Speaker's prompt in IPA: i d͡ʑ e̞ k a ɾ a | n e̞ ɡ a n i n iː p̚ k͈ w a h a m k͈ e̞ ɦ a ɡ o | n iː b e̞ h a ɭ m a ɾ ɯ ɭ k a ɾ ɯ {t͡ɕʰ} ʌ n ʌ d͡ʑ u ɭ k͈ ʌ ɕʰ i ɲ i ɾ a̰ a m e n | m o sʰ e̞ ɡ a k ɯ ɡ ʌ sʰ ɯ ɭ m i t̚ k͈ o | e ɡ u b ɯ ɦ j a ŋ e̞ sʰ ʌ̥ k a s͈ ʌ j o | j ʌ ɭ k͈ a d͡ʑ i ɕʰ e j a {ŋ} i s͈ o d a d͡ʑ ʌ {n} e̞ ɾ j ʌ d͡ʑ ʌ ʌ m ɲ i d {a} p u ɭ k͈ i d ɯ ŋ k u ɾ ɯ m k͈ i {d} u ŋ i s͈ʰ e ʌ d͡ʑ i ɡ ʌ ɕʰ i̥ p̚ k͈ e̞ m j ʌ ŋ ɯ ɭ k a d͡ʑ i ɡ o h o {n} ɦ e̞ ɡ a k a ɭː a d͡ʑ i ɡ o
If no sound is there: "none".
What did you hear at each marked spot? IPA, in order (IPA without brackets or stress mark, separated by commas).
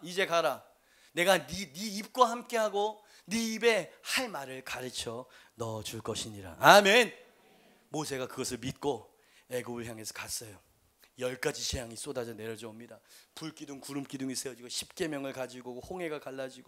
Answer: t͡ɕʰ, ŋ, n, a, d, ŋ